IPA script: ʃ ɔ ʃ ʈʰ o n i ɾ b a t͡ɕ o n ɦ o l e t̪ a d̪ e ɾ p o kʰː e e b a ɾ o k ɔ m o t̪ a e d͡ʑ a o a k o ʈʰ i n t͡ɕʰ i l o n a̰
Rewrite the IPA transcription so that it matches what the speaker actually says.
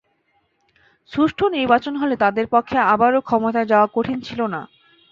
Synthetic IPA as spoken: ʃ u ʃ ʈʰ o n i ɾ b a t͡ɕ o n ɦ o l e t̪ a d̪ e ɾ p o kʰː e a b a ɾ o kʰ ɔ m o t̪ a e d͡ʑ a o a k o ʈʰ i n t͡ɕʰ i l o n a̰